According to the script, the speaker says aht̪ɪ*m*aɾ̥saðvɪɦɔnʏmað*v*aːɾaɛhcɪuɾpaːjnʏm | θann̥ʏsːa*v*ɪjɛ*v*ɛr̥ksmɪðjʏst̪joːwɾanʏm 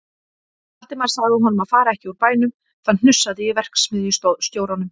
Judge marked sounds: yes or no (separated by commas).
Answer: yes, no, no, yes